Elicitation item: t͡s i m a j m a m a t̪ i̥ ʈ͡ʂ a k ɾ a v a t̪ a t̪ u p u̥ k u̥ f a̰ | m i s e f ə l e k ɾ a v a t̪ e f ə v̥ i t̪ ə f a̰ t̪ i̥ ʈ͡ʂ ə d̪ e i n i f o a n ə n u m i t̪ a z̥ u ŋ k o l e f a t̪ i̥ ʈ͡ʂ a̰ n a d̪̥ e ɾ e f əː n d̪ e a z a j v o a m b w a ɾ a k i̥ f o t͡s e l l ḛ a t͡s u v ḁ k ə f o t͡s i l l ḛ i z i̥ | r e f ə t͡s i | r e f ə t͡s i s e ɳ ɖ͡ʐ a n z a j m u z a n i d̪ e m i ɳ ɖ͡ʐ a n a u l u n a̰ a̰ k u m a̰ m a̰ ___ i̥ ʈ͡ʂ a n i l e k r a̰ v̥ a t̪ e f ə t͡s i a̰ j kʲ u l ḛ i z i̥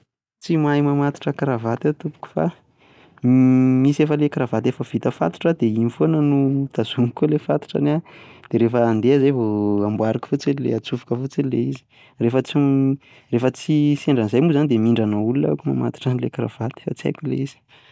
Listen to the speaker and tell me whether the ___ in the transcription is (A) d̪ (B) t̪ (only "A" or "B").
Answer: B